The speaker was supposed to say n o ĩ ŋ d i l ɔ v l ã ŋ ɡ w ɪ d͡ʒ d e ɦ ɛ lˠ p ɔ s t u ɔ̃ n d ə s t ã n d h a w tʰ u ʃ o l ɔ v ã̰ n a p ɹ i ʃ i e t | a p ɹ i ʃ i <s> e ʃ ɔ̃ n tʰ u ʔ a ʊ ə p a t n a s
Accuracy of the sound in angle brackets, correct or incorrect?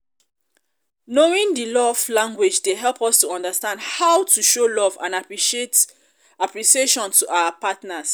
incorrect: none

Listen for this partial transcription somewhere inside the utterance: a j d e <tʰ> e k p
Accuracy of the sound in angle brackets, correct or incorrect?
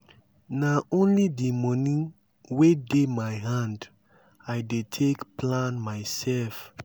correct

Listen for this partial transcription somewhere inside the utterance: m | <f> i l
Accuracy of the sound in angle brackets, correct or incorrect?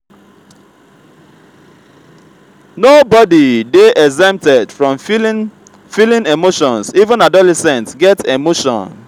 correct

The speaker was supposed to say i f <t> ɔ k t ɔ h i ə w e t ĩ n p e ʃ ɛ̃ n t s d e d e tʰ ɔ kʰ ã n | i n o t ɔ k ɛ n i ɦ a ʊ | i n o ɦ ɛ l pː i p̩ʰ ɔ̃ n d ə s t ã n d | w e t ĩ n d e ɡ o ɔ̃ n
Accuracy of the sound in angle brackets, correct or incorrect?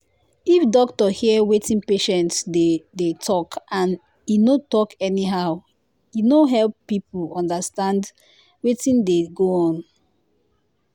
incorrect: d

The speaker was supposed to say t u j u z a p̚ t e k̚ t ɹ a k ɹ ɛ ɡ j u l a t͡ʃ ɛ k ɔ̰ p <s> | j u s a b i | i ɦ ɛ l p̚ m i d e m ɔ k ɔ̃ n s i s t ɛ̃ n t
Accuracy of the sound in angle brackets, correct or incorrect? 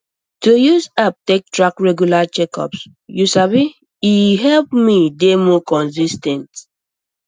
correct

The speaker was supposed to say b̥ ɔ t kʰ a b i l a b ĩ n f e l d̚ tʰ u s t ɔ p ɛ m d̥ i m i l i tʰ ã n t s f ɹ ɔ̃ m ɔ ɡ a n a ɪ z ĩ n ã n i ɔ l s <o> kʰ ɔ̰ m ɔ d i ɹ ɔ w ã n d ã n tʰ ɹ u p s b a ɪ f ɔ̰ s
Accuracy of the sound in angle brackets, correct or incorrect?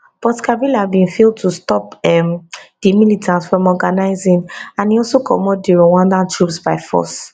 correct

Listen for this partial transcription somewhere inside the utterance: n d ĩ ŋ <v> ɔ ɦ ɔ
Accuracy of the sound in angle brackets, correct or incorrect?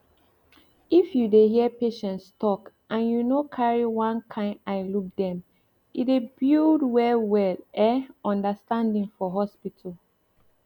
incorrect: f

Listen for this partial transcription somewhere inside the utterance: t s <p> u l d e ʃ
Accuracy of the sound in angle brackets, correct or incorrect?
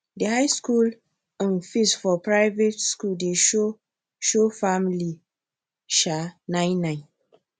incorrect: k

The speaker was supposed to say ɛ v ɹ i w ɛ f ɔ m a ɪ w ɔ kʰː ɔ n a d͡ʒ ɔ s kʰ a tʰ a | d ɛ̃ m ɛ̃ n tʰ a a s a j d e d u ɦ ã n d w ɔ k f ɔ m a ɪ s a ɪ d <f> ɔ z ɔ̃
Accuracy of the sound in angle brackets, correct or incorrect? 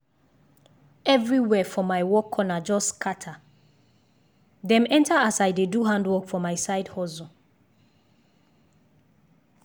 incorrect: h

